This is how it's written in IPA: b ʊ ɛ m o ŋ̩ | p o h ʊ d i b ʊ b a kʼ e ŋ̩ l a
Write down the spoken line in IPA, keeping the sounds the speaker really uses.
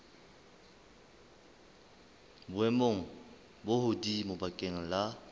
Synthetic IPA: b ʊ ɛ m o ŋ̩ | b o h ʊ d i m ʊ b a kʼ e ŋ̩ l a